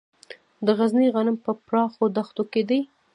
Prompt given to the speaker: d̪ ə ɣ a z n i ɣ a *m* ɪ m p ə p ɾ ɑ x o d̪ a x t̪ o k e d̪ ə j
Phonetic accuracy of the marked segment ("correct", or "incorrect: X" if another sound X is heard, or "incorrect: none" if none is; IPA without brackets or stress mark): incorrect: n